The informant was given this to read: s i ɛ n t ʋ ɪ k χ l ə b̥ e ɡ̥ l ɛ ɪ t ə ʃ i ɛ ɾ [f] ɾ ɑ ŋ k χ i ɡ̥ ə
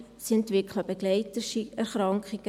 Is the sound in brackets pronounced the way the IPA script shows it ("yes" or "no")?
no